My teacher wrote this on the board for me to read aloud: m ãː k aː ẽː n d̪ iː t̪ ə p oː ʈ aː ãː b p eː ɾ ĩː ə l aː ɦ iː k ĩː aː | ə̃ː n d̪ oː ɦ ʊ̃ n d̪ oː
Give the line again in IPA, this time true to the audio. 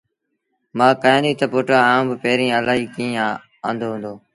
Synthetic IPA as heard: m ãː k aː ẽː n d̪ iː t̪ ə p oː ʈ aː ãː b p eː ɾ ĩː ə l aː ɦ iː k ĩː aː | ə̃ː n d̪ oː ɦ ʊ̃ n d̪ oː